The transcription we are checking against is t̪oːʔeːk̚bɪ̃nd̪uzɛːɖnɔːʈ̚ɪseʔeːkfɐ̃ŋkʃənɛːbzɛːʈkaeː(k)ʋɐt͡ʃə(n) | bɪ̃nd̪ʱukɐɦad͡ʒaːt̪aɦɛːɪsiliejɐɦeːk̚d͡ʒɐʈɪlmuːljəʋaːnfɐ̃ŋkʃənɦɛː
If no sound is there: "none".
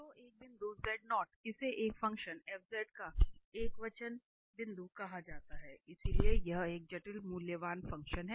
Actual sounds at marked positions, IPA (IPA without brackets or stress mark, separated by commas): k, n